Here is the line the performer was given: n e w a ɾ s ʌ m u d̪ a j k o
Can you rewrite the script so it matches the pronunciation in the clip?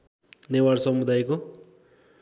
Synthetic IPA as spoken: n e w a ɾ s ʌ m u d̪ a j k o

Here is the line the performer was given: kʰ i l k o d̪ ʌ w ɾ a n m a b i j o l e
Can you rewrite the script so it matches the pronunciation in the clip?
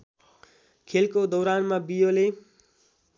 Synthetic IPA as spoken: kʰ e l k o d̪ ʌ w ɾ a n m a b i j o l e

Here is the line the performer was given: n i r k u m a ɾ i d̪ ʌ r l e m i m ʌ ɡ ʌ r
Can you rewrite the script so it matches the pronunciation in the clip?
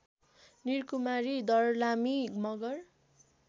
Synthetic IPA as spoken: n i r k u m a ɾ i d̪ ʌ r l a m i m ʌ ɡ ʌ r

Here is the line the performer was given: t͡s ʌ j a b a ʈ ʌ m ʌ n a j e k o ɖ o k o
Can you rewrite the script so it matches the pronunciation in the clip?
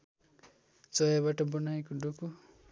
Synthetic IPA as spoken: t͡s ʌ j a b a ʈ ʌ b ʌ n a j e k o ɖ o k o

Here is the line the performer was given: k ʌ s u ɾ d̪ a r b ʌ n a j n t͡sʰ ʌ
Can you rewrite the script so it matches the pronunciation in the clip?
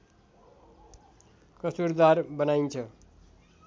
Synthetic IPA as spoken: k ʌ s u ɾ d̪ a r b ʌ n a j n t͡sʰ ʌ

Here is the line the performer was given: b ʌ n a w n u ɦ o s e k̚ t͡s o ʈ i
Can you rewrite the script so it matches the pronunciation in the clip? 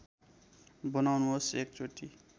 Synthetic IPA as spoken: b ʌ n a w n u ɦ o s e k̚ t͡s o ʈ i

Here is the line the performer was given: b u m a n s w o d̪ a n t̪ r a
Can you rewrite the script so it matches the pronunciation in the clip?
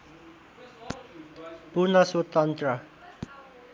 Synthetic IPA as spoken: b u n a s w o t̪ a n t̪ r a

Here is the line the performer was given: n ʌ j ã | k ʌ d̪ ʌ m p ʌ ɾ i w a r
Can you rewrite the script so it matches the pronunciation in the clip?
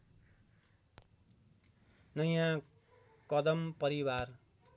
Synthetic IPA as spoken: n ʌ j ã | k ʌ d̪ ʌ m p ʌ ɾ i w a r

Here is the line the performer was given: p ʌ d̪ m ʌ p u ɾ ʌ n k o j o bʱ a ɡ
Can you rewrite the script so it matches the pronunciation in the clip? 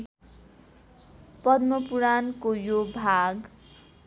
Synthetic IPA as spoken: p ʌ d̪ m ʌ p u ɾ a n k o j o bʱ a ɡ

